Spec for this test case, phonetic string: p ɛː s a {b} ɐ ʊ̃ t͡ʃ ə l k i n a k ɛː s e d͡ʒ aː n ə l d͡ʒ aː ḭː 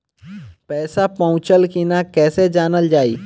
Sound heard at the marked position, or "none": p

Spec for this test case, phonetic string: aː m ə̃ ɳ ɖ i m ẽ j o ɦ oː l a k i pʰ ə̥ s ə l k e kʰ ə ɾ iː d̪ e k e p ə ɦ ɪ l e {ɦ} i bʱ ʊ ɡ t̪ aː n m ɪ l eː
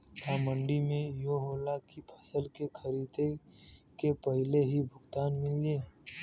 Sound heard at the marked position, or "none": ɦ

